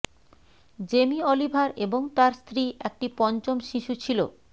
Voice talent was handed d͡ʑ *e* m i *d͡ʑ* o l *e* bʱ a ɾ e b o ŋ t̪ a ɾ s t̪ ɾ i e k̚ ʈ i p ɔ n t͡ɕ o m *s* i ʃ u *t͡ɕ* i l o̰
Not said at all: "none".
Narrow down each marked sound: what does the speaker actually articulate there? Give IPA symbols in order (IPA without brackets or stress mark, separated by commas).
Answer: e, none, i, ʃ, t͡ɕʰ